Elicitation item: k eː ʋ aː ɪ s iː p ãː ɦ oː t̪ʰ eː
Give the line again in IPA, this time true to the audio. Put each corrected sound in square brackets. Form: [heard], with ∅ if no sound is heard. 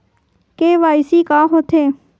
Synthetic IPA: k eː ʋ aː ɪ s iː [k] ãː ɦ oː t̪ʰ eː